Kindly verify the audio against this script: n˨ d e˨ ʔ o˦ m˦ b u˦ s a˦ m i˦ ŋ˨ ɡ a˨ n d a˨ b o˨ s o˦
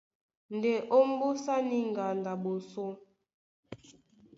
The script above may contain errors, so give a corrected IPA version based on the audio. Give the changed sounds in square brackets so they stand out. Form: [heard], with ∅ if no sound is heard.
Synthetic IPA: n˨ d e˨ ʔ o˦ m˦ b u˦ s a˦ [n] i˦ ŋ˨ ɡ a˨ n d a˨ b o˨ s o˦